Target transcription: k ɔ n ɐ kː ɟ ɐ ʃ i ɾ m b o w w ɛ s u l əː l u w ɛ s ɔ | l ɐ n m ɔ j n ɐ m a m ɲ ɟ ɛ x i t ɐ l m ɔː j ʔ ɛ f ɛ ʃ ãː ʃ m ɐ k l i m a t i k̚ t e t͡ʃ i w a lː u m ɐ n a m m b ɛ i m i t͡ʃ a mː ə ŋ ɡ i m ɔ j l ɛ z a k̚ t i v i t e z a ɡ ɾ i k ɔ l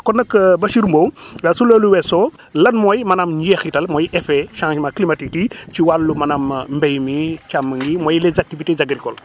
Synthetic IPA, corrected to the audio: k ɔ n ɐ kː b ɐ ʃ i ɾ m b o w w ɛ s u l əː l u w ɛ s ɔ | l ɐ n m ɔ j m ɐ n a m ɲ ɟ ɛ x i t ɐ l m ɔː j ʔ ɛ f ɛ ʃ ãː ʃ m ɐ k l i m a t i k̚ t i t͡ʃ i w a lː u m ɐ n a m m b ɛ j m i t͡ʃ a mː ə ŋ ɡ i m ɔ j l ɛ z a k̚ t i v i t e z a ɡ ɾ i k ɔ l